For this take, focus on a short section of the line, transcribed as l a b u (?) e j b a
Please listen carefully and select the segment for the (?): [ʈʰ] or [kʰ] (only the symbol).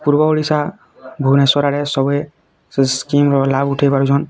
ʈʰ